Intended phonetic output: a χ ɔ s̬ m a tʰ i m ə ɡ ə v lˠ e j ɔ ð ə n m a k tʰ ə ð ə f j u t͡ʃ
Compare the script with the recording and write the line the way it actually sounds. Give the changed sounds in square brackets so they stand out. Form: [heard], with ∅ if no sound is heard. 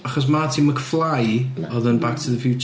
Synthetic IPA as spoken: a χ ɔ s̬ m a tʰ i m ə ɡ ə [f] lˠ [a] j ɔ ð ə n [b] a k tʰ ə ð ə f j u t͡ʃ